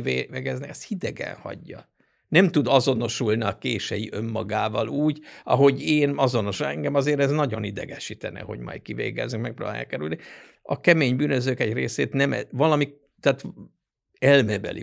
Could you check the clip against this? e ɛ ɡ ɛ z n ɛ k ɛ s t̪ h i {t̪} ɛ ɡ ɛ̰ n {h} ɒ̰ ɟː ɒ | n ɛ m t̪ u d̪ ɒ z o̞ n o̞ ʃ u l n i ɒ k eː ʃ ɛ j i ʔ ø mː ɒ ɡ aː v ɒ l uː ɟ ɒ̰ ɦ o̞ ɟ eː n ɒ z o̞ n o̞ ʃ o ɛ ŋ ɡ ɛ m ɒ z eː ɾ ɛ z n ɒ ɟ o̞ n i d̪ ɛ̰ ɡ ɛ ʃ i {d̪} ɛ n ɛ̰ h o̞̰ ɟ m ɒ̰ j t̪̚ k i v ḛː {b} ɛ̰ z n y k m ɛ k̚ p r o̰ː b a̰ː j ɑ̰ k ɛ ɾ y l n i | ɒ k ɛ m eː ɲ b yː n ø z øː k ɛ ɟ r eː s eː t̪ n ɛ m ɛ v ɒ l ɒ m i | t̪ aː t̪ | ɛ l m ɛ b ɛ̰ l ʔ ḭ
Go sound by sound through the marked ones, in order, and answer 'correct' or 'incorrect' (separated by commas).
incorrect, correct, incorrect, incorrect